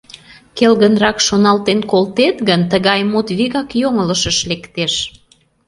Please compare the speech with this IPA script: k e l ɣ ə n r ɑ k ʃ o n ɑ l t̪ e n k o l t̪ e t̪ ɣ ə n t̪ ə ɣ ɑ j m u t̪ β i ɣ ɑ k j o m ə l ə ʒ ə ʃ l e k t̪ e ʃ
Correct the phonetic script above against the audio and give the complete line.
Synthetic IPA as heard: k e l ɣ ə n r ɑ k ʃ o n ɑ l t̪ e n k o l t̪ e t̪ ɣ ə n t̪ ə ɣ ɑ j m u t̪ β i ɣ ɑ k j o ŋ ə l ə ʃ ə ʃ l e k t̪ e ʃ